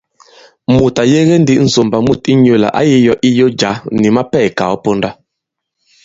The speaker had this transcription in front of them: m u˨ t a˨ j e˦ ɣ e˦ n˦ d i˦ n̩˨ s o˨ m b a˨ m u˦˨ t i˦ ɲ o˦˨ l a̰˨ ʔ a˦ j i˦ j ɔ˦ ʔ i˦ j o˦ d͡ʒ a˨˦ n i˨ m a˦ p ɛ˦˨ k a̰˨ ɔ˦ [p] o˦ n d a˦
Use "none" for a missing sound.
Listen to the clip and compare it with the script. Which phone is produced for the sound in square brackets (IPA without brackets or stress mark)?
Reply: p